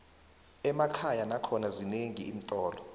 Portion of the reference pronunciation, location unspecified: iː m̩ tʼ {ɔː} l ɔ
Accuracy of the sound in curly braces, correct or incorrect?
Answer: correct